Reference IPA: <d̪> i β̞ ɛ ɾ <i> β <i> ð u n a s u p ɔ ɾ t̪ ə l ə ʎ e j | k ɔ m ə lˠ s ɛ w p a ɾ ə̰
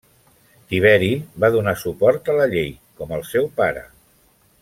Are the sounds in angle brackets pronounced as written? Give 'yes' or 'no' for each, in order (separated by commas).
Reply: no, yes, no